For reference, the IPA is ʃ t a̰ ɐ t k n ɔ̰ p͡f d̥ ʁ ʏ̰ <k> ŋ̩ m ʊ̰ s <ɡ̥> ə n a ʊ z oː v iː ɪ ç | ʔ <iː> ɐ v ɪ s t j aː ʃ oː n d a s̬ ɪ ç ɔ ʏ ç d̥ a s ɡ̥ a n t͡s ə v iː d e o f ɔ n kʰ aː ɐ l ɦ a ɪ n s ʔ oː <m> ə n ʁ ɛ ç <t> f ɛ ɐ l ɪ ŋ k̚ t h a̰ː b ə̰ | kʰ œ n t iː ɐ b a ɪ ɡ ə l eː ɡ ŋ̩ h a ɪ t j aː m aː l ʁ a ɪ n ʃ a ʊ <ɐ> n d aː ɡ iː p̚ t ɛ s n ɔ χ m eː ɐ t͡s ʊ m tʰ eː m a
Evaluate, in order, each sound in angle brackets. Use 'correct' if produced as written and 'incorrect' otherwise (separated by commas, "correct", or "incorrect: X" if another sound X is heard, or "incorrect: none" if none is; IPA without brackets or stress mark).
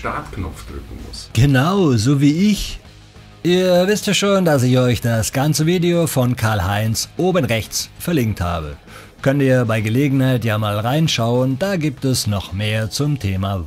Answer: correct, correct, correct, incorrect: b, incorrect: t͡s, incorrect: ə